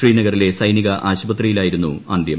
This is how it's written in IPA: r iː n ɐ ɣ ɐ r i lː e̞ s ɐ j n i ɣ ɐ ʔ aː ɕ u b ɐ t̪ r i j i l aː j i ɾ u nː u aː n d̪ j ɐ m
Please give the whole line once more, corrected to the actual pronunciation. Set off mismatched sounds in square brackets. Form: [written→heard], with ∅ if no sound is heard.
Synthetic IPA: r iː n ɐ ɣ ɐ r i [lː→l] e̞ s ɐ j n i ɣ ɐ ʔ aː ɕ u b ɐ t̪ r i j i l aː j i ɾ u nː u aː n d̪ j ɐ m

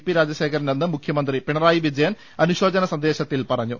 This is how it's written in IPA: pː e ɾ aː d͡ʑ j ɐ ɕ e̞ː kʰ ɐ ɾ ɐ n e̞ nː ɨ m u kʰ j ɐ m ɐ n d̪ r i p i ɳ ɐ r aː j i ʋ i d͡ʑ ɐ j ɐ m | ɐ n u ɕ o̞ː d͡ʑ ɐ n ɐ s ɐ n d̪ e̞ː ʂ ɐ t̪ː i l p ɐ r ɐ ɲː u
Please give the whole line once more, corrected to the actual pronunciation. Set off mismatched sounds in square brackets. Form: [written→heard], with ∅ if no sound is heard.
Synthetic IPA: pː [e→i] ɾ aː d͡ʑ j ɐ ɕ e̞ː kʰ ɐ ɾ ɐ n e̞ nː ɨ m u kʰ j ɐ m ɐ n d̪ r i p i ɳ ɐ r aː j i ʋ i d͡ʑ ɐ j ɐ [m→n] | ɐ n u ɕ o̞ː d͡ʑ ɐ n ɐ s ɐ n d̪ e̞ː [ʂ→ɕ] ɐ t̪ː i l p ɐ r ɐ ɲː u

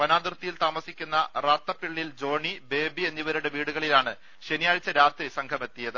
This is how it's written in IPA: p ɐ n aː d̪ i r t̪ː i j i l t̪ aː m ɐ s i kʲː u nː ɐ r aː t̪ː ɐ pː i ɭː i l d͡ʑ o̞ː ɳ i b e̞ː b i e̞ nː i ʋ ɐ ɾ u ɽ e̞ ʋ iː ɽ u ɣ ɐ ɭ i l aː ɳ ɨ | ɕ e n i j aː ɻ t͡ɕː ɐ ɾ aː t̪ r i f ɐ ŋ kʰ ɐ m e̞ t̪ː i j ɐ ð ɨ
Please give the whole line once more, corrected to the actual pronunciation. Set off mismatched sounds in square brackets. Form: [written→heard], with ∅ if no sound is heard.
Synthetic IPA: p ɐ n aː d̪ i r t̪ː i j i l t̪ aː m ɐ s i kʲː u nː ɐ r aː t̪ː ɐ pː i ɭː i l d͡ʑ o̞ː ɳ i b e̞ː b i e̞ nː i ʋ ɐ ɾ u ɽ e̞ ʋ iː ɽ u ɣ ɐ ɭ i l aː ɳ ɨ | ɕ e n i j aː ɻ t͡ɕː ɐ ɾ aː t̪ r i [f→s] ɐ ŋ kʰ ɐ m e̞ t̪ː i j ɐ ð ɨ

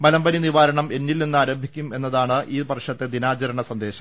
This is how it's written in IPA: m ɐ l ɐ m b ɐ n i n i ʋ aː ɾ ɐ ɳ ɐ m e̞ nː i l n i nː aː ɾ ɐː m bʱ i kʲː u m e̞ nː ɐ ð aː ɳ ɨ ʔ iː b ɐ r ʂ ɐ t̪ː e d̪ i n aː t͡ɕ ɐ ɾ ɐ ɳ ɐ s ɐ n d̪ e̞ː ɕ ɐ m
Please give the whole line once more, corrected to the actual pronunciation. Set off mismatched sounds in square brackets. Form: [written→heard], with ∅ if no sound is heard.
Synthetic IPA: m ɐ l ɐ m b ɐ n i n i ʋ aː ɾ ɐ ɳ ɐ m e̞ nː i l n i nː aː ɾ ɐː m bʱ i kʲː u m e̞ nː ɐ ð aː ɳ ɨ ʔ iː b ɐ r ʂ ɐ t̪ː e d̪ i n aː t͡ɕ ɐ ɾ ɐ ɳ ɐ s ɐ n d̪ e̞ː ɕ ɐ m

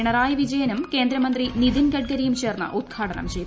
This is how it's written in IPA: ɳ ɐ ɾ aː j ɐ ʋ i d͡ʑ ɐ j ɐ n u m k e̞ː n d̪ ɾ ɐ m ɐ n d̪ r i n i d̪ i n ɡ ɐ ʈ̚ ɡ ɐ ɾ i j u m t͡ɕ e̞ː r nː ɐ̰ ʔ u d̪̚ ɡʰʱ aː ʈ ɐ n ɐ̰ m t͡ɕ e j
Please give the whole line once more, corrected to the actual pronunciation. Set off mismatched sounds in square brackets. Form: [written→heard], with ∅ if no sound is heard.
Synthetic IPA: ɳ ɐ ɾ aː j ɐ ʋ i d͡ʑ ɐ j ɐ n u m k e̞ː n d̪ ɾ ɐ m ɐ n d̪ r i n i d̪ i n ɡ ɐ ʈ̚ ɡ ɐ ɾ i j u m t͡ɕ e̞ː r nː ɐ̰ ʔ u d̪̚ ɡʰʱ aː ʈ ɐ n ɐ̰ m t͡ɕ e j

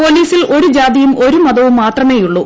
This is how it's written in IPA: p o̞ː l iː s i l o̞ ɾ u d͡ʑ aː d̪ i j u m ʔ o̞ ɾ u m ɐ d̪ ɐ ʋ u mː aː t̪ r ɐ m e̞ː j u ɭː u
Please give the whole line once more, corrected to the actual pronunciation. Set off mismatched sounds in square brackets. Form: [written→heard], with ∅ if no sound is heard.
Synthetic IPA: p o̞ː l iː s i l o̞ ɾ u d͡ʑ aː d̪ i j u m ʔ o̞ ɾ u m ɐ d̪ ɐ ʋ u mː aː t̪ r ɐ m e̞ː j u ɭː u

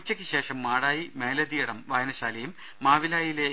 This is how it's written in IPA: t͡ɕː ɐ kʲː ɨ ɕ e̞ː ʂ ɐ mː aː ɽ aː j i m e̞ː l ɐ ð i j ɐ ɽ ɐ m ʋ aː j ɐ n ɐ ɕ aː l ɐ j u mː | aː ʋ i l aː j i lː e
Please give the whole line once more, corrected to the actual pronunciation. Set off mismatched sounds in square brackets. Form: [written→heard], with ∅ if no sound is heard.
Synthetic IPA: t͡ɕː ɐ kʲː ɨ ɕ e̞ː ʂ ɐ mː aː ɽ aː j i m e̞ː l ɐ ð i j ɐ ɽ ɐ m ʋ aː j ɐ n ɐ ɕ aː l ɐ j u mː | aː ʋ i l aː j i [lː→l] e

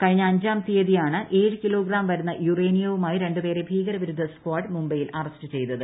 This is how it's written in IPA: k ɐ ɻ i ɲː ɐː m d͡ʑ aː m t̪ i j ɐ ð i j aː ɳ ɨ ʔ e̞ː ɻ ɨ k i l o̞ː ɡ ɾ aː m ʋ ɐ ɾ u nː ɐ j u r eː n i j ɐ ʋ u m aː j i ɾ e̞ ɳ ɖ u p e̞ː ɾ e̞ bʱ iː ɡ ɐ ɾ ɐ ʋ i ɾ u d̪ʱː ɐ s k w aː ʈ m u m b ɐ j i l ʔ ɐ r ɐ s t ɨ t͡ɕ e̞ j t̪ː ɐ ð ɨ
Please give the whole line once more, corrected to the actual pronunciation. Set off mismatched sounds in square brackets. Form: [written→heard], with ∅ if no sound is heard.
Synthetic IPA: k ɐ ɻ i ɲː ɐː [m→ɲ] d͡ʑ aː m t̪ i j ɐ ð i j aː ɳ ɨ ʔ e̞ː ɻ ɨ k i l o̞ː ɡ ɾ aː m ʋ ɐ ɾ u nː ɐ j u r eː n i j ɐ ʋ u m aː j i ɾ e̞ ɳ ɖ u p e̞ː ɾ e̞ bʱ iː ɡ ɐ ɾ ɐ ʋ i ɾ u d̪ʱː ɐ s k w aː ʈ m u m b ɐ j i l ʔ ɐ r ɐ s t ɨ t͡ɕ e̞ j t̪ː ɐ ð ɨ

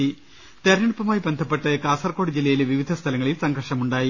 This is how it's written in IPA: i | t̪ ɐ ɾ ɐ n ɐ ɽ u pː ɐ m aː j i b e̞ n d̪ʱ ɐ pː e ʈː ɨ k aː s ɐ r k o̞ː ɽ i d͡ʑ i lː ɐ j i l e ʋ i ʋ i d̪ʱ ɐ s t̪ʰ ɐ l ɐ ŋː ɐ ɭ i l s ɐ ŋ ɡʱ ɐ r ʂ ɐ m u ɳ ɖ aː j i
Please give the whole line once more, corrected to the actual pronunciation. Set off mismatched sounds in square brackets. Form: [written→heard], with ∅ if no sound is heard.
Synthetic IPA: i | t̪ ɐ ɾ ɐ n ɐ ɽ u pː ɐ m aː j i b e̞ n d̪ʱ ɐ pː e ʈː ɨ k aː s ɐ r k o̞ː ɽ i d͡ʑ i lː ɐ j i l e ʋ i ʋ i d̪ʱ ɐ s t̪ʰ ɐ l ɐ ŋː ɐ ɭ i l s ɐ ŋ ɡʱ ɐ r ʂ ɐ m u ɳ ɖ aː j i

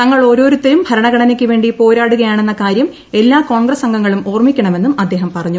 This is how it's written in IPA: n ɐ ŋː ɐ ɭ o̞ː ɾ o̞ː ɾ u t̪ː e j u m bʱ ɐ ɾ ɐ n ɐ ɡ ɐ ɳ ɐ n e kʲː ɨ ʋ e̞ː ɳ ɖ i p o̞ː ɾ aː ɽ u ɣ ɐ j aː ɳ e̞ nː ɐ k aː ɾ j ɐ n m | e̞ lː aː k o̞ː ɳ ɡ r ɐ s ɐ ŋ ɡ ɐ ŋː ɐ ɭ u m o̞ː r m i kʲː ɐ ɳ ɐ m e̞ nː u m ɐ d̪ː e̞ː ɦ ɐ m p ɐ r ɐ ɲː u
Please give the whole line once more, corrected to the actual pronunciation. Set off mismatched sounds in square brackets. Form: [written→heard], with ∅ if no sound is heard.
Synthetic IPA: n ɐ ŋː ɐ ɭ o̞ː ɾ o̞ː ɾ u t̪ː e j u m bʱ ɐ ɾ ɐ [n→ɳ] ɐ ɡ ɐ ɳ ɐ n e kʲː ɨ ʋ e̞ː ɳ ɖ i p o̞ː ɾ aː ɽ u ɣ ɐ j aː ɳ e̞ nː ɐ k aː ɾ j ɐ [n→∅] m | e̞ lː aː k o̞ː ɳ ɡ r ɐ s ɐ ŋ ɡ ɐ ŋː ɐ ɭ u m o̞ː r m i kʲː ɐ ɳ ɐ m e̞ nː u m ɐ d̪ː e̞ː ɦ ɐ m p ɐ r ɐ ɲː u

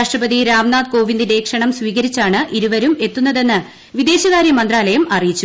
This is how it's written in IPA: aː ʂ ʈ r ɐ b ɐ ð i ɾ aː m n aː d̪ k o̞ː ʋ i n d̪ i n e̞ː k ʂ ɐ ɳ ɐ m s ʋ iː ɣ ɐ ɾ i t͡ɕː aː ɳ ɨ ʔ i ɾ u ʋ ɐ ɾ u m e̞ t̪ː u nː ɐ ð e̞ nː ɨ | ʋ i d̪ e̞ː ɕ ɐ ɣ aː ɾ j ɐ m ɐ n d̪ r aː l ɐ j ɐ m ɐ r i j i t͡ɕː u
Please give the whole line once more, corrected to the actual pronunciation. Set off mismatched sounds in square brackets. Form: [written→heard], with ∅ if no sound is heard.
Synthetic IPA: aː ʂ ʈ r ɐ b ɐ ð i ɾ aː m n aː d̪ k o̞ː ʋ i n d̪ i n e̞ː k ʂ ɐ ɳ ɐ m s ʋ iː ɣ ɐ ɾ i t͡ɕː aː ɳ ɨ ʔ i ɾ u ʋ ɐ ɾ u m e̞ t̪ː u nː ɐ ð e̞ nː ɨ | ʋ i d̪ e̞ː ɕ ɐ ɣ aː ɾ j ɐ m ɐ n d̪ r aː l ɐ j ɐ m ɐ r i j i t͡ɕː u

